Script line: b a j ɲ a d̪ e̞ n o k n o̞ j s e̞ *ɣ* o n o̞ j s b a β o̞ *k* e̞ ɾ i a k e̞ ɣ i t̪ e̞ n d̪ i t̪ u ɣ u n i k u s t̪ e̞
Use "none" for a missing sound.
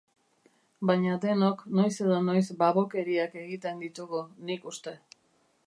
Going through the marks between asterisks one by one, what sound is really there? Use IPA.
ð, k

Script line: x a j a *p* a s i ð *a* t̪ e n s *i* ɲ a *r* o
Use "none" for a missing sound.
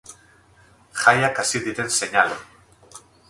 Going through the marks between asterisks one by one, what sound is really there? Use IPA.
k, i, e, l

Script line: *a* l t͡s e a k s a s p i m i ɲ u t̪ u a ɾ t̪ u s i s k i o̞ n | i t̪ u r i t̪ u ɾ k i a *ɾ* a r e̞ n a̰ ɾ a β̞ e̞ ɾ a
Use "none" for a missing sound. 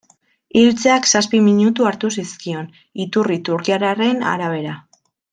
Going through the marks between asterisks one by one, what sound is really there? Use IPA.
i, ɾ

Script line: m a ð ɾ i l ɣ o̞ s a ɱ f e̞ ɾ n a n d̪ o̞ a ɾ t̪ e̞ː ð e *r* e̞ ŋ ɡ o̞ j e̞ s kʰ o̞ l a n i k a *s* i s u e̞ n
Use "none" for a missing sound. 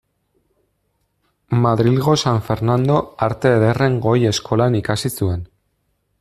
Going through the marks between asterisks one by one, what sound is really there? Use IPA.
r, s

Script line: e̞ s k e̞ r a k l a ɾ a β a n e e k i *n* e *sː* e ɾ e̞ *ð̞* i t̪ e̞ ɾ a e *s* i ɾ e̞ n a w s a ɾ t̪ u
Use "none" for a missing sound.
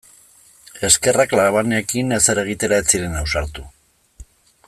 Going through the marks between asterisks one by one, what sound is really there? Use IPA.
n, s, ɣ̞, t͡s

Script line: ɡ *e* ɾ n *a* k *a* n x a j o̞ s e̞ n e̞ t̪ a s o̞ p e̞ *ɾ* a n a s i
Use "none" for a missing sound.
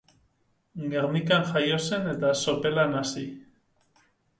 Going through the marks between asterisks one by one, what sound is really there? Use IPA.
e, i, a, l

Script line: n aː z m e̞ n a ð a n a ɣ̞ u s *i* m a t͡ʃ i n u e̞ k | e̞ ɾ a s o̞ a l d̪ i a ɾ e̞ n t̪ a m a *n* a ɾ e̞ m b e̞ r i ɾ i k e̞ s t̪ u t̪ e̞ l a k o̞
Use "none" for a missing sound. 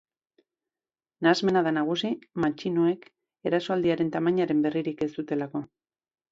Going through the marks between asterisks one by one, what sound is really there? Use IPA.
i, ɲ

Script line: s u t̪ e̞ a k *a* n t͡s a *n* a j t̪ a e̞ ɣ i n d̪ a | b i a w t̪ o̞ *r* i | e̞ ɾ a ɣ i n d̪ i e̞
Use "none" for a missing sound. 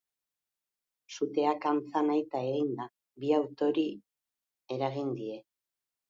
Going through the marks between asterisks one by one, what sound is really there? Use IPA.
a, n, ɾ

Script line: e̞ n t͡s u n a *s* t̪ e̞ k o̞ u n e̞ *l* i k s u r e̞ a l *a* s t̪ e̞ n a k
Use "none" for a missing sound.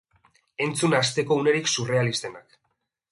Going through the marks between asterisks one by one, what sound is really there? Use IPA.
s, ɾ, i

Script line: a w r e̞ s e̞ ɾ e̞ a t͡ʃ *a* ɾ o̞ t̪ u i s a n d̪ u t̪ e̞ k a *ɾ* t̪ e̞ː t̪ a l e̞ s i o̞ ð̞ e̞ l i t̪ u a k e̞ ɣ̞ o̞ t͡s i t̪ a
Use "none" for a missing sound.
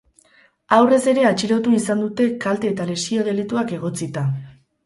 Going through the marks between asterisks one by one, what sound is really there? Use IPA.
i, l

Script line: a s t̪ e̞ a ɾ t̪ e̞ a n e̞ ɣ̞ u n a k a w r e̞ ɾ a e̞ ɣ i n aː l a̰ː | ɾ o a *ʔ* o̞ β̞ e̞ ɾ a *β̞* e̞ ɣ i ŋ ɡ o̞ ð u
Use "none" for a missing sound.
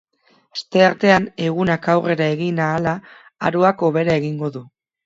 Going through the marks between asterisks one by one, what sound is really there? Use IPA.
k, none

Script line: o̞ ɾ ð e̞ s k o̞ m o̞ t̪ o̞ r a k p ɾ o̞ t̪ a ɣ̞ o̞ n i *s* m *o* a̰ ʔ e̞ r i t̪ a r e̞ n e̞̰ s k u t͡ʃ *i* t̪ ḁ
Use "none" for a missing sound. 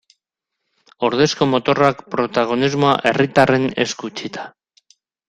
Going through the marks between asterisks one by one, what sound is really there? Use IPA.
z, o, i

